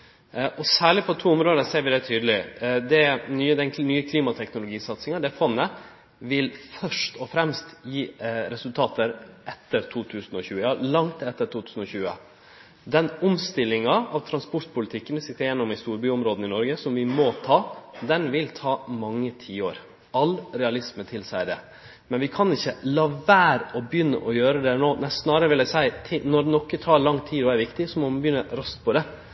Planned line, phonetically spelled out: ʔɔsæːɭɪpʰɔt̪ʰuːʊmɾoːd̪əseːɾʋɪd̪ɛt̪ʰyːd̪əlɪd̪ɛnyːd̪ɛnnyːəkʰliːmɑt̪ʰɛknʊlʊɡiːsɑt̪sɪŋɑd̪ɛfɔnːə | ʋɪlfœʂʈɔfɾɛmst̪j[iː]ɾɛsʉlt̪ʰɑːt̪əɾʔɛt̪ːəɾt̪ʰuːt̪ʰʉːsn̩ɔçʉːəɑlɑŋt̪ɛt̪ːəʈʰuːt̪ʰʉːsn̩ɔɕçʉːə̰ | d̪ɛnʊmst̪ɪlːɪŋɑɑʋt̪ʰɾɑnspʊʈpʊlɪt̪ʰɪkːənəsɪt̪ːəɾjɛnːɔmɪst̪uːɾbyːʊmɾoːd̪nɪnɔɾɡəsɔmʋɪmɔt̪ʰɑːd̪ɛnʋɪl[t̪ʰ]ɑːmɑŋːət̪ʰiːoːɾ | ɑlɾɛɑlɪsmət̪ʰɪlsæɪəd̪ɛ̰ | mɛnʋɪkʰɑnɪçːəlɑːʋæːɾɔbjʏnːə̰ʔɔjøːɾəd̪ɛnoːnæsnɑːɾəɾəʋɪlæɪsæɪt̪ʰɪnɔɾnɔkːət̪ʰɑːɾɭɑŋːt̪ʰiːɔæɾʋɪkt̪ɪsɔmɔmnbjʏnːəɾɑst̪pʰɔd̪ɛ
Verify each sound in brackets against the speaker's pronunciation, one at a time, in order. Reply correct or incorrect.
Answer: correct, correct

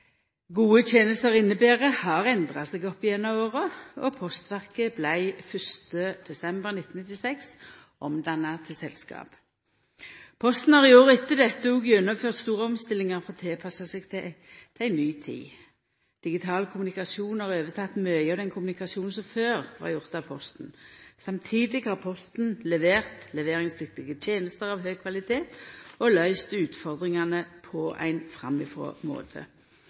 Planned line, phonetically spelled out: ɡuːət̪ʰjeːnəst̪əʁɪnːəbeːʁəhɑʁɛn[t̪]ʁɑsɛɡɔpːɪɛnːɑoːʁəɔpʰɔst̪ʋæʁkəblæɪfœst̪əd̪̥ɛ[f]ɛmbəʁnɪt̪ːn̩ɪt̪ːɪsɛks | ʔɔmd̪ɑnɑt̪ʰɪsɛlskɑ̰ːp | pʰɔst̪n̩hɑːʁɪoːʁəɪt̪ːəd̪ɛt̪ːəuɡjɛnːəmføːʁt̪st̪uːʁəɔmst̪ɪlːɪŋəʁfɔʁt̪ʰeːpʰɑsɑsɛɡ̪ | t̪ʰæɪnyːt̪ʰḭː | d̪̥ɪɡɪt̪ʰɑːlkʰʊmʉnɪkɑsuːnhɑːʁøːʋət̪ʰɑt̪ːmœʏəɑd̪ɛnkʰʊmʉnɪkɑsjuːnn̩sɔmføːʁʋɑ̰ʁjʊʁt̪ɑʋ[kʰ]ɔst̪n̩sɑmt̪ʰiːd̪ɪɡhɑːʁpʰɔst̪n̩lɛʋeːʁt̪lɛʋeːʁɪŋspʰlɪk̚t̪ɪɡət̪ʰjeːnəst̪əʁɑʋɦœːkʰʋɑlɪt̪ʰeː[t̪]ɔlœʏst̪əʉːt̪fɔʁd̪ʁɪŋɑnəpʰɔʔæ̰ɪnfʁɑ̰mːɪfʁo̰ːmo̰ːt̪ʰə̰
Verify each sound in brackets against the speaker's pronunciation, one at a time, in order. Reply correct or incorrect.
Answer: incorrect: d̪, incorrect: s, incorrect: pʰ, correct

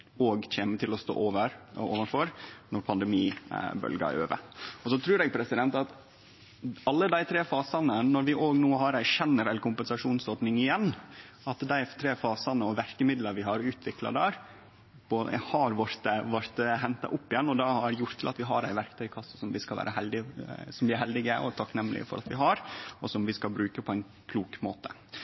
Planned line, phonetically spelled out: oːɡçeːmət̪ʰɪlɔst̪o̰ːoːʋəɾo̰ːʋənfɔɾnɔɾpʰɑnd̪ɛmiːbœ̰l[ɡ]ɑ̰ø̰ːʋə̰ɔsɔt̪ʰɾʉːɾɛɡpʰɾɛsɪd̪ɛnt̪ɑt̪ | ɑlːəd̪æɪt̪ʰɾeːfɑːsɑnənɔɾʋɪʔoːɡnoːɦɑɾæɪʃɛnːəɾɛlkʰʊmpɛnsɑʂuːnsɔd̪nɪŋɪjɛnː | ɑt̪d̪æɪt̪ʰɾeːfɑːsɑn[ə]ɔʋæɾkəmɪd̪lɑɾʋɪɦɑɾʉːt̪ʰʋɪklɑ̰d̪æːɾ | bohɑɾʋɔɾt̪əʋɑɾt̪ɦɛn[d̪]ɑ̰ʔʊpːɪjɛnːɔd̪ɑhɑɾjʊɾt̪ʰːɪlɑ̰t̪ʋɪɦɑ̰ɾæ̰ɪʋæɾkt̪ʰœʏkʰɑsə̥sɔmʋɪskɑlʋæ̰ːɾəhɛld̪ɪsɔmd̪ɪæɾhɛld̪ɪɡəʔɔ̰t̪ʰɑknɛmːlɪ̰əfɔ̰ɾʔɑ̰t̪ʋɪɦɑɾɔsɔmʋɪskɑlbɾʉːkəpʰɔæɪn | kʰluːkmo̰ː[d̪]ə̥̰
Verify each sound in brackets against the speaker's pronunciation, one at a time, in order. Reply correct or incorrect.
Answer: correct, correct, incorrect: t̪, incorrect: t̪

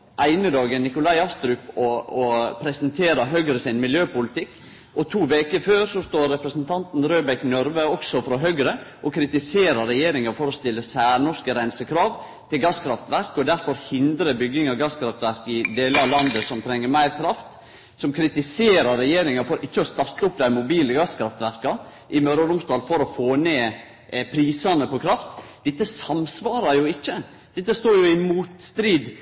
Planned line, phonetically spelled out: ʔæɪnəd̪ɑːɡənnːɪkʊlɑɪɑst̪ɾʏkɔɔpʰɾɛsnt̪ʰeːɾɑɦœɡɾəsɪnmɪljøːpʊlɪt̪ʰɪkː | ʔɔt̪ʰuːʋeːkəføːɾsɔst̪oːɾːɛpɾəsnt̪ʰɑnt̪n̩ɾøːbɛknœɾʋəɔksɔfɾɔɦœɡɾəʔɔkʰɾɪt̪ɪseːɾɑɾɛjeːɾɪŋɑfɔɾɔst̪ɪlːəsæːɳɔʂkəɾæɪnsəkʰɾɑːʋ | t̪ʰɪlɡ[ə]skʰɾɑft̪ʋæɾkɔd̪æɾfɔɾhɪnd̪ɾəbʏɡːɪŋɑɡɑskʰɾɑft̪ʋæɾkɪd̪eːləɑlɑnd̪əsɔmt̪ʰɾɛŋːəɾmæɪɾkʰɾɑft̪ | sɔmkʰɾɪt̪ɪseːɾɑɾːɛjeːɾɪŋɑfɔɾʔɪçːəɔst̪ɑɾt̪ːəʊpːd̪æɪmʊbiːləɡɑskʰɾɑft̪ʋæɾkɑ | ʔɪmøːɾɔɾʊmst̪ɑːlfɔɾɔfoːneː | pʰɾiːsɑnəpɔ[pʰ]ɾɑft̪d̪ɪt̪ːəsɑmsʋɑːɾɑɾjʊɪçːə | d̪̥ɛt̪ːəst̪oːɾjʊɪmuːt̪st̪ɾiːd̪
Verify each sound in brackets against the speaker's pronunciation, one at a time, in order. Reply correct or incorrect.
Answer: incorrect: ɑ, incorrect: kʰ

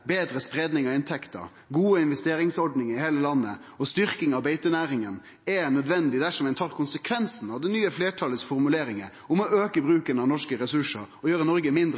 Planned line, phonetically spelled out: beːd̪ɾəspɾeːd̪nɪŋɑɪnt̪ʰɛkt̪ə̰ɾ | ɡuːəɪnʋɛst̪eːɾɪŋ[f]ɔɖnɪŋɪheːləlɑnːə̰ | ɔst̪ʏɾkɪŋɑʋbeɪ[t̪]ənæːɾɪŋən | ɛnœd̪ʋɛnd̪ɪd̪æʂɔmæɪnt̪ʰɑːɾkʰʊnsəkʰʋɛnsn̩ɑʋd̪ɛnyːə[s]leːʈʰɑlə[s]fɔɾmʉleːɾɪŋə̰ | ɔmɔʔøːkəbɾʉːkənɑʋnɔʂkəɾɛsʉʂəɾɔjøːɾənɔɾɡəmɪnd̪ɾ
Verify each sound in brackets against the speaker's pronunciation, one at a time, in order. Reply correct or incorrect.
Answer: incorrect: s, correct, incorrect: f, correct

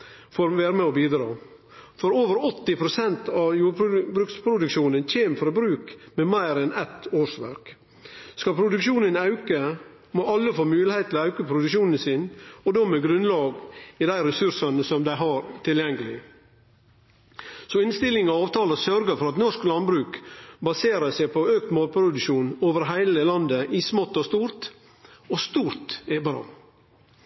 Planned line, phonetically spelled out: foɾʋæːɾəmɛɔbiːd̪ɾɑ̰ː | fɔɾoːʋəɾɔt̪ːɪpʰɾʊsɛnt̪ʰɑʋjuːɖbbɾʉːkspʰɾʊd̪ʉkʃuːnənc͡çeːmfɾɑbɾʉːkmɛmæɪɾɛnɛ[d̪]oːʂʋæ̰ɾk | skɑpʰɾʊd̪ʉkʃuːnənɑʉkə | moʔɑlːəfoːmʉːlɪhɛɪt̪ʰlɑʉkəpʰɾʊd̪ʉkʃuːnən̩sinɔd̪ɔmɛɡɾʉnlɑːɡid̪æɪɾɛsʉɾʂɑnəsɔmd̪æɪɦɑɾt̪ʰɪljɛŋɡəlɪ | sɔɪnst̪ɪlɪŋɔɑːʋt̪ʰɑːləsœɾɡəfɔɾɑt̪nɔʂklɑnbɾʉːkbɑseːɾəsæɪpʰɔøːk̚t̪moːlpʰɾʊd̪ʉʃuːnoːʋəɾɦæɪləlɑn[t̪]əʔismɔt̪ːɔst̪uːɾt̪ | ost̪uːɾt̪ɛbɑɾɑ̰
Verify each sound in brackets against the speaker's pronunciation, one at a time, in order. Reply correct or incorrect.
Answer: incorrect: t̪, incorrect: d̪

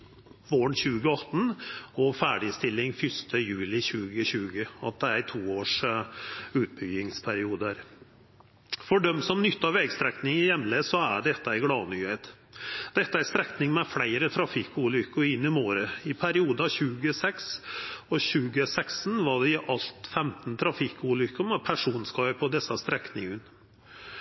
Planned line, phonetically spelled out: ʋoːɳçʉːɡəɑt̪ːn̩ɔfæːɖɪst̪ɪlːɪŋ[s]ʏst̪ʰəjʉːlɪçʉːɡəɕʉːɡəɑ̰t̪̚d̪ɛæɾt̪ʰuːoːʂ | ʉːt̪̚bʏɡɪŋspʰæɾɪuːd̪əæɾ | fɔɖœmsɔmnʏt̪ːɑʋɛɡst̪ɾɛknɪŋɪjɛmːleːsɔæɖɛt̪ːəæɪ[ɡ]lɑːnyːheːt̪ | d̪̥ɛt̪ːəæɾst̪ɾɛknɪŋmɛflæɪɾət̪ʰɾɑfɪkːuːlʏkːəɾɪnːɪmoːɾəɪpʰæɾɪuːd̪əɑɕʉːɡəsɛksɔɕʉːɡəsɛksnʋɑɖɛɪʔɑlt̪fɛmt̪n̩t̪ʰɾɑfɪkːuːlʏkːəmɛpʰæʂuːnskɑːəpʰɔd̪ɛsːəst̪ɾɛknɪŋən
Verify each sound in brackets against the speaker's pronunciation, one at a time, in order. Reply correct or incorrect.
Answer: incorrect: f, correct

